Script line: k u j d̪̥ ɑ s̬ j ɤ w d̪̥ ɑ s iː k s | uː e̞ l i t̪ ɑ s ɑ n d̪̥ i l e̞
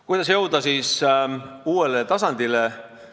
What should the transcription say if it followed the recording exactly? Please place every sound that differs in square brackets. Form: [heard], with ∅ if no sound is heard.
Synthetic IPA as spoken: k u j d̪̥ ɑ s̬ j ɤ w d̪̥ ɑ s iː [∅] s | uː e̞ l [e] t̪ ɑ s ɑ n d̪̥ i l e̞